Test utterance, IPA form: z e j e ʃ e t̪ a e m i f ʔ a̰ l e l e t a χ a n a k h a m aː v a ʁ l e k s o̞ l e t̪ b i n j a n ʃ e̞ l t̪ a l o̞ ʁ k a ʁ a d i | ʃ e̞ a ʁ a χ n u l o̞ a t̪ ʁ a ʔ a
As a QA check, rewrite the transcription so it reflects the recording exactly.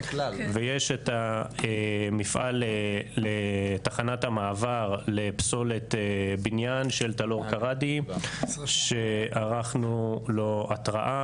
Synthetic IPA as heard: v e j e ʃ e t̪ a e m i f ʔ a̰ l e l e t a χ a n a t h a m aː v a ʁ l e p s o̞ l e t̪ b i n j a n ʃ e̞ l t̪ a l o̞ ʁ k a ʁ a d i | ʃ e̞ a ʁ a χ n u l o̞ a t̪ ʁ a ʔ a